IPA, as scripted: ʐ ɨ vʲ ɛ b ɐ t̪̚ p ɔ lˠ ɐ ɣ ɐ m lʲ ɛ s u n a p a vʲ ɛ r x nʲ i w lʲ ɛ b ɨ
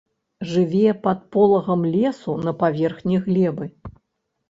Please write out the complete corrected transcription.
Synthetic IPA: ʐ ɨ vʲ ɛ p ɐ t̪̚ p ɔ lˠ ɐ ɣ ɐ m lʲ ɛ s u n ɐ p a vʲ ɛ r x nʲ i ɣ lʲ ɛ b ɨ